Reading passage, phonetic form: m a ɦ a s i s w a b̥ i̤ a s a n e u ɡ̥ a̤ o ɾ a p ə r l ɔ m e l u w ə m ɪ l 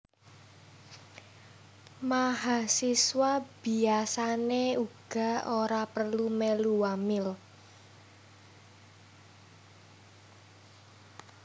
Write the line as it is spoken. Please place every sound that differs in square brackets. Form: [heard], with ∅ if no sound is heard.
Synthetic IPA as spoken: m a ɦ a s i s w a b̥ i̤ a s a n e u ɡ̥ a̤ o ɾ a p ə r l [u] m e l u w [a] m ɪ l